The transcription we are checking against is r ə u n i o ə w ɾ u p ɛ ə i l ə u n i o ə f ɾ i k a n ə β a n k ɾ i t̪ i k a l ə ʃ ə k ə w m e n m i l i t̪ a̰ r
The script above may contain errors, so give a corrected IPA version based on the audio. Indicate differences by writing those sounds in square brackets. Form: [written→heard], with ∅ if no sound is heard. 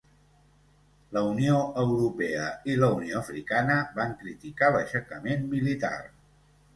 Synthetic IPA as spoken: [r→l] ə u n i o ə w ɾ u p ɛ ə i l ə u n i o ə f ɾ i k a n ə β a [n→ŋ] k ɾ i t̪ i k a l ə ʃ ə k ə [w→∅] m e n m i l i t̪ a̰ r

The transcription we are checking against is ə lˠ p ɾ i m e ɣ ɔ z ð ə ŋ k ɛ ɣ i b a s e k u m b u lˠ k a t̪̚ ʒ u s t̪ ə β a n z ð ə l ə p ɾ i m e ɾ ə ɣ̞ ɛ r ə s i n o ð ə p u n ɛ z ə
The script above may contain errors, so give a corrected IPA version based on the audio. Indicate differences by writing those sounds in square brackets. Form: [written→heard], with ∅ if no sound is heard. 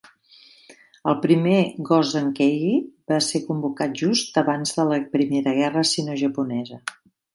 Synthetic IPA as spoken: ə lˠ p ɾ i m e ɣ ɔ z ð ə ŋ k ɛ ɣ i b a s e k u m b u [lˠ→∅] k a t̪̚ ʒ u s t̪ ə β a n z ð ə l ə p ɾ i m e ɾ ə ɣ̞ ɛ r ə s i n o [ð→ʒ] ə p u n ɛ z ə

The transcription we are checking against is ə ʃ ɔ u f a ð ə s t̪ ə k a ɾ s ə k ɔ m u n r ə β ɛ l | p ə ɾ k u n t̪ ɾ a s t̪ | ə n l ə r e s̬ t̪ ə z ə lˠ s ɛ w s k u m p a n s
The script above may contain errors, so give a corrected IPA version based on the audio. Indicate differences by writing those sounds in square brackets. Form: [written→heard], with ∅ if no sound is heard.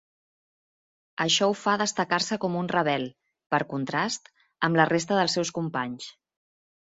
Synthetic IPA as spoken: ə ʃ ɔ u f a ð ə s t̪ ə k a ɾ s ə k ɔ m u n r ə β ɛ l | p ə ɾ k u n t̪ ɾ a s t̪ | ə [n→m] l ə r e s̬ t̪ ə [z→ð] ə lˠ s ɛ w s k u m p a [n→ɲ] s

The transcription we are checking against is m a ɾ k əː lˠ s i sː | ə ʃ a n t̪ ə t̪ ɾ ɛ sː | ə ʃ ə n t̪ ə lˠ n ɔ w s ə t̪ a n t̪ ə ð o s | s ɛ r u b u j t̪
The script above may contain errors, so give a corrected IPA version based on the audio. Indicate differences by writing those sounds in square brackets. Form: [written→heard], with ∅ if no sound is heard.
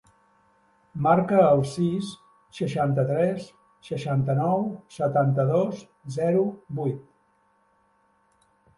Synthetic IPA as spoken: m a ɾ k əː lˠ s i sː | ə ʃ a n t̪ ə t̪ ɾ ɛ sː | ə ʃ [ə→a] n t̪ ə [lˠ→∅] n ɔ w s ə t̪ a n t̪ ə ð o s | [s→z] ɛ [r→ɾ] u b u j t̪

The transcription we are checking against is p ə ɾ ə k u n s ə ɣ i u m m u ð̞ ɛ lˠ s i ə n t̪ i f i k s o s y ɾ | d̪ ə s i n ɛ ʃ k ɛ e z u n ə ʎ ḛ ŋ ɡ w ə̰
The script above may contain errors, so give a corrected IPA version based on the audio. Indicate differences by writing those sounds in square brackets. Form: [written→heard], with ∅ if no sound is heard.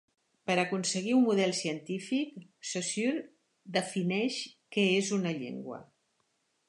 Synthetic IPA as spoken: p ə ɾ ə k u n s ə ɣ i u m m u ð̞ ɛ lˠ s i ə n t̪ i f i k s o s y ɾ | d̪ ə [s→f] i n ɛ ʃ k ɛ e z u n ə ʎ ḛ ŋ ɡ w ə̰

